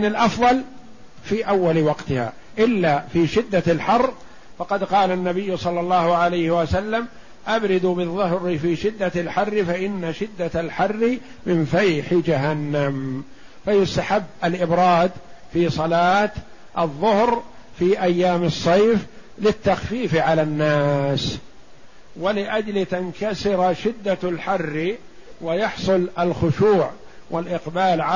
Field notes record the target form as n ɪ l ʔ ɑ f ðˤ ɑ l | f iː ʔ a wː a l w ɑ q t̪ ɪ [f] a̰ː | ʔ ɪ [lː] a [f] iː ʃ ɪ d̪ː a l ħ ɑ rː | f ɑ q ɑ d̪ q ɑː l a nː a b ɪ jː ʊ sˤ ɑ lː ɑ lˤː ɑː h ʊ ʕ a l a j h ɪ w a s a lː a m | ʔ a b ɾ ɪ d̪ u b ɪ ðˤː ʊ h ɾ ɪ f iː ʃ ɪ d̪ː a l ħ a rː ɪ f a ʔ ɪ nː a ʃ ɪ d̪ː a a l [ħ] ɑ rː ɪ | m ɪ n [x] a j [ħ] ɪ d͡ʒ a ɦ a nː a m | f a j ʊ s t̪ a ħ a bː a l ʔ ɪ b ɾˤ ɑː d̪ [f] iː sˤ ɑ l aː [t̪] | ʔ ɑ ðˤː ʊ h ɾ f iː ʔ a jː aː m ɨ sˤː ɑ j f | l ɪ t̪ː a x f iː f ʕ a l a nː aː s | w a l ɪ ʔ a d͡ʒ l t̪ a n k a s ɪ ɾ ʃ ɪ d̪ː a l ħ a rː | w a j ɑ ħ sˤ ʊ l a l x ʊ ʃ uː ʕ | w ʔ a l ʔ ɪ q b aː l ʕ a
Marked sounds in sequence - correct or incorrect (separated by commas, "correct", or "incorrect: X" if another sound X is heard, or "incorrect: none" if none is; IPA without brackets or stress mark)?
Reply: incorrect: h, correct, correct, correct, incorrect: f, correct, correct, correct